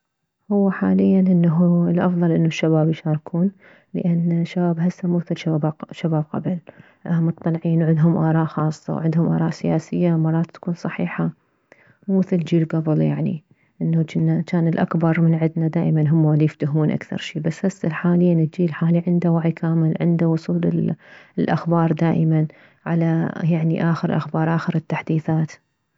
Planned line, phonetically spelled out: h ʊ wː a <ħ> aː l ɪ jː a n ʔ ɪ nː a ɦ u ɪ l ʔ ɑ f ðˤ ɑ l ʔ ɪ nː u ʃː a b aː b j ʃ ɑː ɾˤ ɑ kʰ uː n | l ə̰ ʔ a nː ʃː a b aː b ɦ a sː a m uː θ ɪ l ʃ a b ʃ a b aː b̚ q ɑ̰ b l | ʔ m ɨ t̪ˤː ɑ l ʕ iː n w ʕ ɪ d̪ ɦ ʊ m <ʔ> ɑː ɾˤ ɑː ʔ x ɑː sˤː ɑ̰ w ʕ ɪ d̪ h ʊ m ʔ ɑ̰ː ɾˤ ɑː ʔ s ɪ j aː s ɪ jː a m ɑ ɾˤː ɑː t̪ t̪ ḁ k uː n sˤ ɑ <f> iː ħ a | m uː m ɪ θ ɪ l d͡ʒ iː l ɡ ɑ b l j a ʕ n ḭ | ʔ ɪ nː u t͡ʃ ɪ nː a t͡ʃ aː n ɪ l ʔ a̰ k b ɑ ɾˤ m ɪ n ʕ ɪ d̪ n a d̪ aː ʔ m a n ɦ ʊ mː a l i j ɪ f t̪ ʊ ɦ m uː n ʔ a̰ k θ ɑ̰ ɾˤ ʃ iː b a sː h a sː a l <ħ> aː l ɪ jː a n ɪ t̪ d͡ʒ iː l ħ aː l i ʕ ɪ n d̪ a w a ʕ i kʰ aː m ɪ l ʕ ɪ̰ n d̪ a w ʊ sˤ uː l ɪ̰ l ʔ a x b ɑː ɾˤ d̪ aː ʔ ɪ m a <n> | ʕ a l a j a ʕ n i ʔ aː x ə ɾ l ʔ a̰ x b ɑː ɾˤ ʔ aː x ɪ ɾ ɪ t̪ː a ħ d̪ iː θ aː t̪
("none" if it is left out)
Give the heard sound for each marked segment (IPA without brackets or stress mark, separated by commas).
ħ, ʔ, ħ, ħ, n